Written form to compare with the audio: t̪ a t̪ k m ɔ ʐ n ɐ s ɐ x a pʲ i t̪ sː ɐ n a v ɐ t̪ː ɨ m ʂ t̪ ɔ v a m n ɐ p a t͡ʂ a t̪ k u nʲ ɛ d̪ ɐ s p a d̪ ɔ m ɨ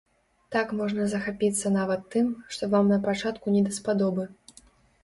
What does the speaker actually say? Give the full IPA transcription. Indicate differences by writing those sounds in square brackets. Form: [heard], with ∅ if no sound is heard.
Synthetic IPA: t̪ a [∅] k m ɔ ʐ n ɐ [z] ɐ x a pʲ i t̪ sː ɐ n a v ɐ t̪ː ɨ m ʂ t̪ ɔ v a m n ɐ p a t͡ʂ a t̪ k u nʲ ɛ d̪ ɐ s p a d̪ ɔ [b] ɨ